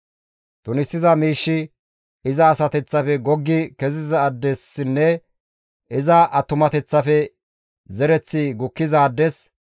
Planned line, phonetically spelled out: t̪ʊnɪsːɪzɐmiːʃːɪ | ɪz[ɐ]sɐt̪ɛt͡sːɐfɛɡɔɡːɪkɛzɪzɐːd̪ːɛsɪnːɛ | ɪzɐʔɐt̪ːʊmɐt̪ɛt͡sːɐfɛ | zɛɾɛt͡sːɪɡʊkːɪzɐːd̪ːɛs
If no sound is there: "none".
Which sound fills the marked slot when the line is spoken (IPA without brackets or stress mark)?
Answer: ɐː